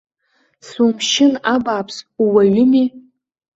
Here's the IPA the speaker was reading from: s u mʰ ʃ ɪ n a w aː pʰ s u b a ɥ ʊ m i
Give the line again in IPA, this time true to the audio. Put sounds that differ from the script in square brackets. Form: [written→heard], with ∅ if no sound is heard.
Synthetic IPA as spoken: s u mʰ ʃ ɪ n a [w→b] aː pʰ s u [b→w] a ɥ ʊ m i